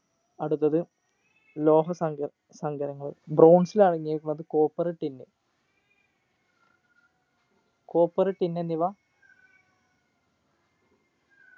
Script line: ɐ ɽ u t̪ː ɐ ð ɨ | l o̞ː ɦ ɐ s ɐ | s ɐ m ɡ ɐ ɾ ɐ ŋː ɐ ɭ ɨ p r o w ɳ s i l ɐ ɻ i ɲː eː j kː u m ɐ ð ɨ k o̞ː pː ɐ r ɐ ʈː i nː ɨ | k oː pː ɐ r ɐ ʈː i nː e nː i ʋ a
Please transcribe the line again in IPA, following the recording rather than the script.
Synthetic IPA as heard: ɐ ɽ u t̪ː ɐ ð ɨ | l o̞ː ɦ ɐ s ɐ | s ɐ ŋ ɡ ɐ ɾ ɐ ŋː ɐ ɭ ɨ b r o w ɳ s i l ɐ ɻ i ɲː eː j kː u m ɐ ð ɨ k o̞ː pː ɐ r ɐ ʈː i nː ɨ | k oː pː ɐ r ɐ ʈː i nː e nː i ʋ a